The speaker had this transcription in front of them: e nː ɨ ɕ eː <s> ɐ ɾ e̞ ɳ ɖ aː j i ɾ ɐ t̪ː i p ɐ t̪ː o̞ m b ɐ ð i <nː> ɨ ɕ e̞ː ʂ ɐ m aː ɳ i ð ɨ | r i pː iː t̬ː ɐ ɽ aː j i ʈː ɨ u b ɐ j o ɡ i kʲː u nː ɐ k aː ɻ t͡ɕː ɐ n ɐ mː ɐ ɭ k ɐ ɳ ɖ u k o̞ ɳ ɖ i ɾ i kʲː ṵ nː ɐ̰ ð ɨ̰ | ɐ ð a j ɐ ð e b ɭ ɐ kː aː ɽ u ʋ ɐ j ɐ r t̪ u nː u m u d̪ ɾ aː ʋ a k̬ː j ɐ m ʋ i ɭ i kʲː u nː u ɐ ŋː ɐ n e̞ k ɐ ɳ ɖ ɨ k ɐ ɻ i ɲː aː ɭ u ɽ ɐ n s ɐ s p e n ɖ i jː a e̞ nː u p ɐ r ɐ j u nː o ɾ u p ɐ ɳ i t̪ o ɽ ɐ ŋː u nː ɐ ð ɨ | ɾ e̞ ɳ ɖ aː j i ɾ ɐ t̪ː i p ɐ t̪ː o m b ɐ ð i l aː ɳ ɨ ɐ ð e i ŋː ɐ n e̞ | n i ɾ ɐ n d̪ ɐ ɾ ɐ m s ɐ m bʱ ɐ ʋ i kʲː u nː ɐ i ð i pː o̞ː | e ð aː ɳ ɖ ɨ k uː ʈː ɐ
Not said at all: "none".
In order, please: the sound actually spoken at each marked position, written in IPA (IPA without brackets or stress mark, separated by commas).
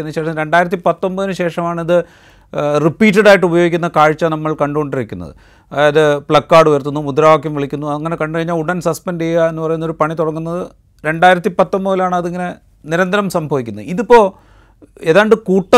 ʂ, n